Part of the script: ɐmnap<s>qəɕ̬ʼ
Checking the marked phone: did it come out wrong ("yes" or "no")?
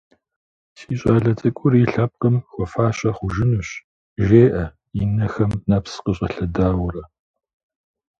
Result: no